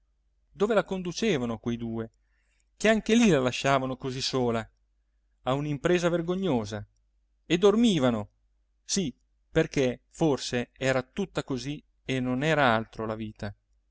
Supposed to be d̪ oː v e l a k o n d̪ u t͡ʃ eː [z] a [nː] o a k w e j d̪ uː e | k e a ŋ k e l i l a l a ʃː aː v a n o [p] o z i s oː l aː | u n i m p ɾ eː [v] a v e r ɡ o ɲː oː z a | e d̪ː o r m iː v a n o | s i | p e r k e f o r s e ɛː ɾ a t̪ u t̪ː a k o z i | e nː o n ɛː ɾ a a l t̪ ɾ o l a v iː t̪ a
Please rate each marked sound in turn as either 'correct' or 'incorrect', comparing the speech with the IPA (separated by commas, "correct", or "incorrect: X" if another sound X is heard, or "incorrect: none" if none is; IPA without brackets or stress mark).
incorrect: v, incorrect: n, incorrect: k, incorrect: z